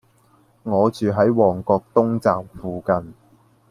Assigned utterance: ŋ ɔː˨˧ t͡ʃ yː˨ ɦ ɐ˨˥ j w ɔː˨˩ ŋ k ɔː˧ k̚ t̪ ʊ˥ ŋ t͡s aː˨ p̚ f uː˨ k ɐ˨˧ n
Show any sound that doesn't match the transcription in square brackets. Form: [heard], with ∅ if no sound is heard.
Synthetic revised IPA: ŋ ɔː˨˧ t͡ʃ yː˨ ɦ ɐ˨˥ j w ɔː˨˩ ŋ k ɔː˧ k̚ t̪ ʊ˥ ŋ t͡s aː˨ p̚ f uː˨ k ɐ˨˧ n